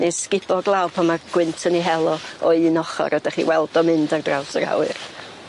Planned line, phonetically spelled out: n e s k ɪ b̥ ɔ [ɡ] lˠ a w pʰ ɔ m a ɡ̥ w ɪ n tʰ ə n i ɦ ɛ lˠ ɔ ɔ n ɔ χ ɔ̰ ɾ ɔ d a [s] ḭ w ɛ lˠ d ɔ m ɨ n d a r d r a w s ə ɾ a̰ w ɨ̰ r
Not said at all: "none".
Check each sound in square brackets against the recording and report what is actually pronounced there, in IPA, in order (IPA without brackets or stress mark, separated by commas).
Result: ɡ, χ